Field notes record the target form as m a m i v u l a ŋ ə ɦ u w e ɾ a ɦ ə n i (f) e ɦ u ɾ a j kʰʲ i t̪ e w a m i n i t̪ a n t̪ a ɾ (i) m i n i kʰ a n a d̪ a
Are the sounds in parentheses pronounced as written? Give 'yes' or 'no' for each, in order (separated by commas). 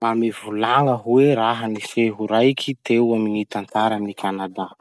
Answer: yes, no